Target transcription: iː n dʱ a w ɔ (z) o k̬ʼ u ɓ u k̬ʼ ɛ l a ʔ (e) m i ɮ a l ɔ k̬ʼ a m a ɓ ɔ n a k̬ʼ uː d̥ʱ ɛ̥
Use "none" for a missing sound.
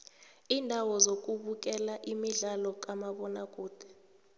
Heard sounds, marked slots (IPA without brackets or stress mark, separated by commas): z, i